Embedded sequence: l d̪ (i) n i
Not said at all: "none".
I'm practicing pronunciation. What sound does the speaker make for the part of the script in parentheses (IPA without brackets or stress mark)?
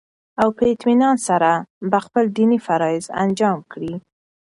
i